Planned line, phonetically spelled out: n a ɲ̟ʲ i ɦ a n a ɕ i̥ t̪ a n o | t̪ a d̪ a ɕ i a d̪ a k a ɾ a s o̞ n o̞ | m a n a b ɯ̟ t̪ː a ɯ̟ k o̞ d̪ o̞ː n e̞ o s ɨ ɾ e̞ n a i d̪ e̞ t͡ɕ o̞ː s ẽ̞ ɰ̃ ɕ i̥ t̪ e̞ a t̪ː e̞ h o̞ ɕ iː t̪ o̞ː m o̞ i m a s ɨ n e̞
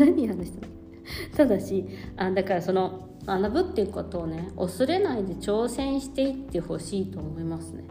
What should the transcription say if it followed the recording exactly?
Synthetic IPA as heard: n a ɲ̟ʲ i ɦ a n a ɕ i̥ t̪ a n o | t̪ a d̪ a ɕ i a d̪ a k a ɾ a s o̞ n o̞ | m a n a b ɯ̟ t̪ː e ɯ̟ k o̞ t̪ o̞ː n e̞ o s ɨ ɾ e̞ n a i d̪ e̞ t͡ɕ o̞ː s ẽ̞ ɰ̃ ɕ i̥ t̪ e̞ i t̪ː e̞ h o̞ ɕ iː t̪ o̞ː m o̞ i m a s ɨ n e̞